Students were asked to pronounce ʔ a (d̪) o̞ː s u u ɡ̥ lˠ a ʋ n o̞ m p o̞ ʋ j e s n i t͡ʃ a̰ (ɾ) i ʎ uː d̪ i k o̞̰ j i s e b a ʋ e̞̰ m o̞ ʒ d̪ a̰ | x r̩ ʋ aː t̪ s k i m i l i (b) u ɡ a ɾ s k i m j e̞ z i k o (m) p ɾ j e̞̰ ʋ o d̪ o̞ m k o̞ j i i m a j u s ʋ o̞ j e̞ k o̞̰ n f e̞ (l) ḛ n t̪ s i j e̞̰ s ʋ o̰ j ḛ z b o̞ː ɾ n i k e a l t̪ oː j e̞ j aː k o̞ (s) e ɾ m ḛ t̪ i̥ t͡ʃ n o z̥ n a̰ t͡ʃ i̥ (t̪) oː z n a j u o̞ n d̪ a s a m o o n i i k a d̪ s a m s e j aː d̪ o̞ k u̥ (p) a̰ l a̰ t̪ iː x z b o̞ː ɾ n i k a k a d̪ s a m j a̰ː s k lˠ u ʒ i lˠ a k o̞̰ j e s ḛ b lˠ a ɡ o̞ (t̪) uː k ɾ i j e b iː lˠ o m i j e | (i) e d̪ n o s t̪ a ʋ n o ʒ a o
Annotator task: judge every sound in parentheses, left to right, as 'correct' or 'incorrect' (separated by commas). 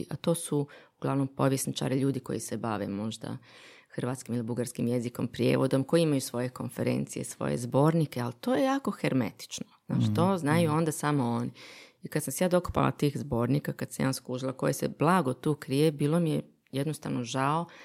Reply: incorrect, correct, correct, correct, incorrect, incorrect, correct, correct, correct, incorrect